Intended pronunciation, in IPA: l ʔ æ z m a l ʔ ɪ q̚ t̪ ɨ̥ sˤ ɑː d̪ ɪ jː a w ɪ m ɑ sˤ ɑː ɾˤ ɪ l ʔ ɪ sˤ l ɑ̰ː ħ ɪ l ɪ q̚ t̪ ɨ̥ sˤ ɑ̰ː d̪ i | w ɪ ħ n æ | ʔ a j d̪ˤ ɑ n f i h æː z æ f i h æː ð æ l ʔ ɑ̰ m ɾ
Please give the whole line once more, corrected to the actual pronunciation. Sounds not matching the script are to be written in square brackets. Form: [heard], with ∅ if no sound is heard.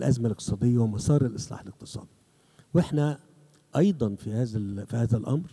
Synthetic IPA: l ʔ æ z m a l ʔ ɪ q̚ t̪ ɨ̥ sˤ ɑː d̪ ɪ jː a w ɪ m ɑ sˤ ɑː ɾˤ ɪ l ʔ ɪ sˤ l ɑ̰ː ħ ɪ l ɪ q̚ t̪ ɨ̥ sˤ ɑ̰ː d̪ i | w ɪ ħ n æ | ʔ [ɑ] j d̪ˤ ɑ n f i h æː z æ f i h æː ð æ l ʔ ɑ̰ m ɾ